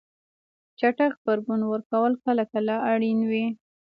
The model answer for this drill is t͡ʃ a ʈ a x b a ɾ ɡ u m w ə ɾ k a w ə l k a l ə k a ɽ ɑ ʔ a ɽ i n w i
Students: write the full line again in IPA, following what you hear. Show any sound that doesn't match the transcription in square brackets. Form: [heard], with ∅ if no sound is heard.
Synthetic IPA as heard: t͡ʃ a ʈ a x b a ɾ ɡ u [n] w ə ɾ k a w ə l k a l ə k a [l] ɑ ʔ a ɽ i n w i